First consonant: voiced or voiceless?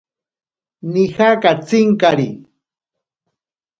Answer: voiced